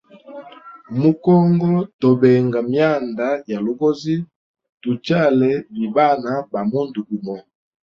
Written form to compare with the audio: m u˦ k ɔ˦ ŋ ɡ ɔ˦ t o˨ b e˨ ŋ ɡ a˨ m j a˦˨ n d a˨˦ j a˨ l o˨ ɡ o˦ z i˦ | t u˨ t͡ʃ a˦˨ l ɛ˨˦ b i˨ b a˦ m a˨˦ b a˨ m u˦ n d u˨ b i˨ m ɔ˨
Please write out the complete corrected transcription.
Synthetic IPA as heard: m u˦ k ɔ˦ ŋ ɡ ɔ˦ t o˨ b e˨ ŋ ɡ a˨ m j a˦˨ n d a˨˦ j a˨ l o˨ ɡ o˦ z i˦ | t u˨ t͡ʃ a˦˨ l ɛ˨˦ b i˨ b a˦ n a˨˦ b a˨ m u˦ n d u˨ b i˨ m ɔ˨